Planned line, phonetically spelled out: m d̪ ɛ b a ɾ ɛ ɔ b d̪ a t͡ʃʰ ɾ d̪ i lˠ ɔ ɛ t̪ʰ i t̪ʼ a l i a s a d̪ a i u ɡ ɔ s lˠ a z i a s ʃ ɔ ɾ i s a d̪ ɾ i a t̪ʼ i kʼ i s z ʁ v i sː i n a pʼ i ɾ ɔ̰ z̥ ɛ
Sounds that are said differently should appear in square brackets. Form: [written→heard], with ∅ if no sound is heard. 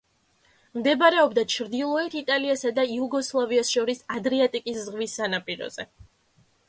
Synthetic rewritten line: m d̪ ɛ b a ɾ ɛ ɔ b d̪ a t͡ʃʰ ɾ d̪ i lˠ ɔ ɛ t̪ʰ i t̪ʼ a l i a s a d̪ a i u ɡ ɔ s lˠ a [z→v] i a s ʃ ɔ ɾ i s a d̪ ɾ i a t̪ʼ i kʼ i s z ʁ v i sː [i→a] n a pʼ i ɾ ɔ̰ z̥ ɛ